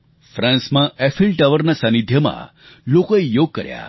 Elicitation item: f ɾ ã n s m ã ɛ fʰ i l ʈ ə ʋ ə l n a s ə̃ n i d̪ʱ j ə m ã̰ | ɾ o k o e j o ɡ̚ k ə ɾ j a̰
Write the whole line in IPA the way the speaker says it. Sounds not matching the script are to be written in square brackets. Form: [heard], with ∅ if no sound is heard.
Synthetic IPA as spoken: f ɾ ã n s m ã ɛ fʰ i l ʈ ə ʋ ə [ɾ] n a s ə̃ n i d̪ʱ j ə m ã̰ | [l] o k o e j o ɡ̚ k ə ɾ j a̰